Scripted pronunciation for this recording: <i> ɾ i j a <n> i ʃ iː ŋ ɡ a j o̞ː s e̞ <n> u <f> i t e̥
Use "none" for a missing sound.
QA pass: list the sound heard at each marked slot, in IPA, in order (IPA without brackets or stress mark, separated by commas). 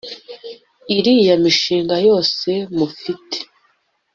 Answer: i, m, m, f